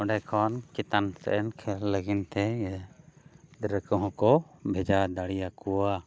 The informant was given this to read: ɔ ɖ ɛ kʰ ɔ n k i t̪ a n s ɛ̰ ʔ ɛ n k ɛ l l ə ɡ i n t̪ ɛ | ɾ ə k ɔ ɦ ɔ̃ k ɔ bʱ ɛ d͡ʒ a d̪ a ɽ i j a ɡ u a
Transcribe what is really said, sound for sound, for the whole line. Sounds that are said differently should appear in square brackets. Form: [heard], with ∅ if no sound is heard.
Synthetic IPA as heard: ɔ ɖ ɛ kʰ ɔ n k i t̪ a n s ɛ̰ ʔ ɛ n [kʰ] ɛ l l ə ɡ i n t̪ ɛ | ɾ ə k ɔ ɦ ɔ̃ k ɔ bʱ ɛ d͡ʒ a d̪ a ɽ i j a [k] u a